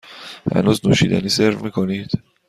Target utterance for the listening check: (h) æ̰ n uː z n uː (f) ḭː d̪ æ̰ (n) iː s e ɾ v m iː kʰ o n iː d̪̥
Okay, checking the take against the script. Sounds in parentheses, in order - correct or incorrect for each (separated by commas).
correct, incorrect, correct